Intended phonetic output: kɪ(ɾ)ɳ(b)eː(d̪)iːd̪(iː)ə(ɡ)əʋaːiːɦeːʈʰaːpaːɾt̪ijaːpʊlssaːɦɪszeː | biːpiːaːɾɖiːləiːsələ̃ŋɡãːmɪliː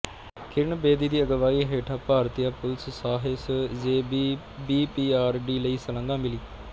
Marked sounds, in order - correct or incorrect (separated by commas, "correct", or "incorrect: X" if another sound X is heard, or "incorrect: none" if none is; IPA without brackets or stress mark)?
correct, correct, correct, correct, correct